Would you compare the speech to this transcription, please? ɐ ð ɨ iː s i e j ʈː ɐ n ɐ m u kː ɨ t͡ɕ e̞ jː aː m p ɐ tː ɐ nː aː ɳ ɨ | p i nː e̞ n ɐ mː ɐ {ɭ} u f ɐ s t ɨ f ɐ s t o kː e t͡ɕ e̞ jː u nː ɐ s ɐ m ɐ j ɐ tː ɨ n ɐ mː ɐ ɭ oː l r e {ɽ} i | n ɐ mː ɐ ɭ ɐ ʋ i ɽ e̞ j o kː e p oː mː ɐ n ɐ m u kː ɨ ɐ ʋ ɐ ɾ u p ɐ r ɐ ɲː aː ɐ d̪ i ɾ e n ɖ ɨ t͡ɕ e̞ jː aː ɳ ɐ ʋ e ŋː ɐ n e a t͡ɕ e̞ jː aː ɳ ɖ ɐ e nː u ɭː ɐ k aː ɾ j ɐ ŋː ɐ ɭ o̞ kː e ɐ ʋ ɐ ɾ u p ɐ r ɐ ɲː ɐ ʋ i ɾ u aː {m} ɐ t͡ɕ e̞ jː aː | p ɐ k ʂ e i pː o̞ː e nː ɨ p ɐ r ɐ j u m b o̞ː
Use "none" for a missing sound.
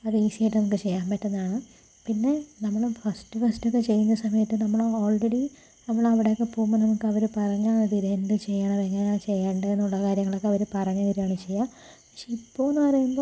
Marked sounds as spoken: ɭ, ɽ, ɳ

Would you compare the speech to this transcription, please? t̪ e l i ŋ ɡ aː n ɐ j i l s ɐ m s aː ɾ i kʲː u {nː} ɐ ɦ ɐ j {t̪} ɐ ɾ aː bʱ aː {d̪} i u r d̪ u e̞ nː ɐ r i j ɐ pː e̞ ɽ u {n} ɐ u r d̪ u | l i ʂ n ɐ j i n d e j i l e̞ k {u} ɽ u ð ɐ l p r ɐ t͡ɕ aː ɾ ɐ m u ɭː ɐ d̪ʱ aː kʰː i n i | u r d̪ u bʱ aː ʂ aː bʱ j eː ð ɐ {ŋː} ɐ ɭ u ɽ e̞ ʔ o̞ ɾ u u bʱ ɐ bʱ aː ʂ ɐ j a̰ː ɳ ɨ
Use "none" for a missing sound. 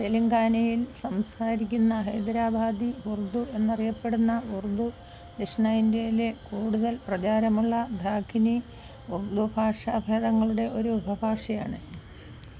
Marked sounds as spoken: nː, d̪, d̪, nː, uː, ŋː

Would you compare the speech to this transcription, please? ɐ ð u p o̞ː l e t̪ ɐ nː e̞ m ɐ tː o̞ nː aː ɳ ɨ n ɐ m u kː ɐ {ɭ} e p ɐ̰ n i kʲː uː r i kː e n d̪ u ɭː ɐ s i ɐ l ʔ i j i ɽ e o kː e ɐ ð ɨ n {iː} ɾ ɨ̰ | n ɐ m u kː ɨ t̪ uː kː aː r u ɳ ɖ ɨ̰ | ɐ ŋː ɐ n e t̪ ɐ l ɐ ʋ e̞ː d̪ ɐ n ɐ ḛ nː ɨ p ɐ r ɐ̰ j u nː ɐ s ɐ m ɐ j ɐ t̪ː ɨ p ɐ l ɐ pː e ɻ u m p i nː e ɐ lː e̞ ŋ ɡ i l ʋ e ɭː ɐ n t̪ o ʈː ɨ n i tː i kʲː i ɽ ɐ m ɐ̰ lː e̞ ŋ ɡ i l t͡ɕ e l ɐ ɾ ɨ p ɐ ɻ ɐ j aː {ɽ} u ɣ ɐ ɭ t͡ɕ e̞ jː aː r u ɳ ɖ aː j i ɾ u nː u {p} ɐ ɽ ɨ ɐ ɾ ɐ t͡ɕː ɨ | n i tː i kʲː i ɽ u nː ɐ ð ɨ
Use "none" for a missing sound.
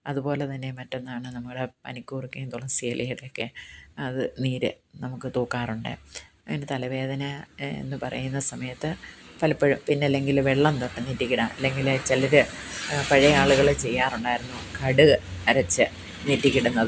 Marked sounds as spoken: ɽ, iː, ɭ, k

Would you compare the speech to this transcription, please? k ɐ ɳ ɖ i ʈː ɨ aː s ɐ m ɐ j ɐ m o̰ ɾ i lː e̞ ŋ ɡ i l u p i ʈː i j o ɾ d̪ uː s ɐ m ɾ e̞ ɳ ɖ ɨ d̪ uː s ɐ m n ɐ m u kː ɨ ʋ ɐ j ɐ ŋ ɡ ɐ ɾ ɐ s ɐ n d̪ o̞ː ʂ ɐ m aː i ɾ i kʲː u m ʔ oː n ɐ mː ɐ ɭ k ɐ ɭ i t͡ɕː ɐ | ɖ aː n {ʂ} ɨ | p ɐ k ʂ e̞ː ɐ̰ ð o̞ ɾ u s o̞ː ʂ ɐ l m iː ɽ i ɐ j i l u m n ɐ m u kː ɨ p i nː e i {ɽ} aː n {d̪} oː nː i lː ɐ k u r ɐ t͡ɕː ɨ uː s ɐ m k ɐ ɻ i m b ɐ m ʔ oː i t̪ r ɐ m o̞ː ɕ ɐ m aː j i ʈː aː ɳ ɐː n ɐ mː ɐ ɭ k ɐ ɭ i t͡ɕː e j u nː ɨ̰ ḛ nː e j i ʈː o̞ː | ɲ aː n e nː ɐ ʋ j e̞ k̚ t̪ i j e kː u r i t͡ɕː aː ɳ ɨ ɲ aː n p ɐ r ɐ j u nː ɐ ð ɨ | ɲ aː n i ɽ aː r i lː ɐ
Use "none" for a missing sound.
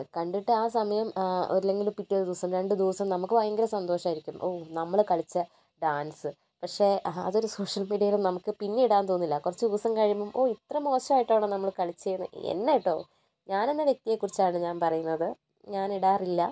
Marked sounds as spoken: s, ɽ, t̪

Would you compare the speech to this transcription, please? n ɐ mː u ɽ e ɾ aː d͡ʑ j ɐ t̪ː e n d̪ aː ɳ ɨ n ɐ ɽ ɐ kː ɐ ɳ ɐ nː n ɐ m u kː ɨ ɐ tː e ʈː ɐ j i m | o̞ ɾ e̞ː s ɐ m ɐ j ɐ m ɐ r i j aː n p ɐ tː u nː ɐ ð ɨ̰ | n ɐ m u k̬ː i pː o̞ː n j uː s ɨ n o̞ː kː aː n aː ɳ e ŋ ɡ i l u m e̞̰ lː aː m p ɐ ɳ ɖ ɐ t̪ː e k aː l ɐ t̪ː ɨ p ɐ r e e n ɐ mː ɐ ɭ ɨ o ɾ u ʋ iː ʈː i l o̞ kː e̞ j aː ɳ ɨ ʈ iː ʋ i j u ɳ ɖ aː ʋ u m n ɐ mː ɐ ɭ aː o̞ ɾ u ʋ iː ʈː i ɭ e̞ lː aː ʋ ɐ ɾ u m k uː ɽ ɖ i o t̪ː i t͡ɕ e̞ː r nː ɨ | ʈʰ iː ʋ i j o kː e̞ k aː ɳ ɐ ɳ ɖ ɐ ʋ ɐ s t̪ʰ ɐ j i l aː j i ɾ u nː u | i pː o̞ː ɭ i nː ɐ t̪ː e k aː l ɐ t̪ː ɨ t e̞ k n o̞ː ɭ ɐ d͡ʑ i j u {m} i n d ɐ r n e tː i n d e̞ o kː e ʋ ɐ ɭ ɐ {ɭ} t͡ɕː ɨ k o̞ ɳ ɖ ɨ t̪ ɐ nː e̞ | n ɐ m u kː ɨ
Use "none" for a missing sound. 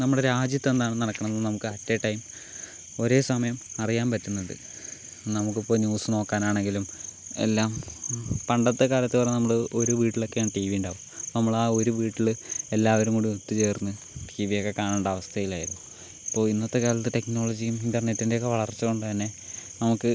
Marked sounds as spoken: m, r

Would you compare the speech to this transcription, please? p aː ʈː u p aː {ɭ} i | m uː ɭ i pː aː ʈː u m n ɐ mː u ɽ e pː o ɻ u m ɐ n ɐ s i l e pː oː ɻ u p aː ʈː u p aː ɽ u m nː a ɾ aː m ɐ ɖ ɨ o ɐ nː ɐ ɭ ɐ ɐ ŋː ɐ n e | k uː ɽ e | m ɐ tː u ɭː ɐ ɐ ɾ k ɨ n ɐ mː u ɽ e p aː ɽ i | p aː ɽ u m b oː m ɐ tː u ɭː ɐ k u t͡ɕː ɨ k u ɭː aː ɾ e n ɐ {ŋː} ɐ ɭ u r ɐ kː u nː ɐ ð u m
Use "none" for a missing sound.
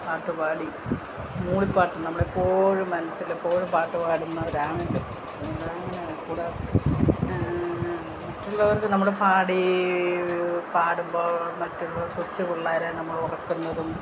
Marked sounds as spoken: ɽ, mː

